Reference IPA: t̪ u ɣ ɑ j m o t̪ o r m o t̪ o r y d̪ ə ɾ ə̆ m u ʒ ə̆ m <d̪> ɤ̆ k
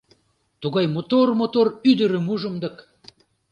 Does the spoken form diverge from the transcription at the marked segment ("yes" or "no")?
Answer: no